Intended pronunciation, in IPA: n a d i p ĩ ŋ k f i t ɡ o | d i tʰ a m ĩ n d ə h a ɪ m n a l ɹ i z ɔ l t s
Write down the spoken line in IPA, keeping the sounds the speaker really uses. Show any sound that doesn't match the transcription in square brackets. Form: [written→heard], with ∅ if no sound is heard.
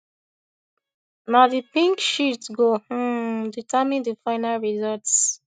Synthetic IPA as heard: n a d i p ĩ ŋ k [f→ʃ] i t ɡ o | d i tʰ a m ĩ n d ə [h→f] a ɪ [m→∅] n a l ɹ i z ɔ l t s